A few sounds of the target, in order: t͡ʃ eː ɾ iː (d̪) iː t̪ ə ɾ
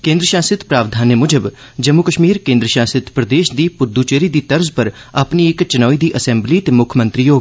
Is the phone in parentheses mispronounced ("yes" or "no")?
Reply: no